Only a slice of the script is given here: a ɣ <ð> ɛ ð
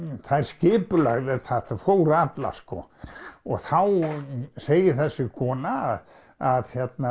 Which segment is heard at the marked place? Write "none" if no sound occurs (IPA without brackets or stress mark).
ð